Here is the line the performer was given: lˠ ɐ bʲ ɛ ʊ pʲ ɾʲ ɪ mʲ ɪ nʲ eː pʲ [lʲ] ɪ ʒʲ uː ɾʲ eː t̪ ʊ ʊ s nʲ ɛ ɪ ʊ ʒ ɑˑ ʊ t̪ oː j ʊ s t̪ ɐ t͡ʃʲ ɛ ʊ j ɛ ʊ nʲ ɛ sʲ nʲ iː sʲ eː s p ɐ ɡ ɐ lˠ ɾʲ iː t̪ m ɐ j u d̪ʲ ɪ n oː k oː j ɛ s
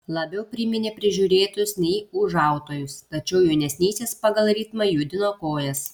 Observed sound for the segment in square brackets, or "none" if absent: ɾʲ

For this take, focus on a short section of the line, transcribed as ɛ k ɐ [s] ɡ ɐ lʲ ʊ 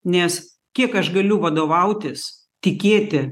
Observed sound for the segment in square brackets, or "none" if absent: ʃ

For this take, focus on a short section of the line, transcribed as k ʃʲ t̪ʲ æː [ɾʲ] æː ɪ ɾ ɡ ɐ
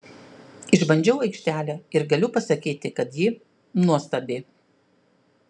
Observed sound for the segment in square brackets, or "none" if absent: lʲ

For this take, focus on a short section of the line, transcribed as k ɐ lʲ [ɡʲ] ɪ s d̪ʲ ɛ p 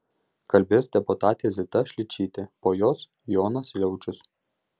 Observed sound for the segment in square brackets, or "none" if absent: bʲ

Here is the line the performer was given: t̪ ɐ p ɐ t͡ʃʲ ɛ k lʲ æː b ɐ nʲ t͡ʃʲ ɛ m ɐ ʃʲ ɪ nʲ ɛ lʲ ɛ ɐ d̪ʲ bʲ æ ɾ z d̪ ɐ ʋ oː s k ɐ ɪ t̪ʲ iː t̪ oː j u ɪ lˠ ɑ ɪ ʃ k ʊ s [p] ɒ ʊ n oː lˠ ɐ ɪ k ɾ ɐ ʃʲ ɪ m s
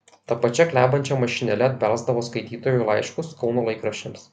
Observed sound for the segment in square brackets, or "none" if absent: k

